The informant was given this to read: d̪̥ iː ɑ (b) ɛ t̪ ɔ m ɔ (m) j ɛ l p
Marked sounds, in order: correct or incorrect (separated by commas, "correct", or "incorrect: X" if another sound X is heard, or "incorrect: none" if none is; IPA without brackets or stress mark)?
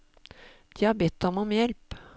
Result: correct, correct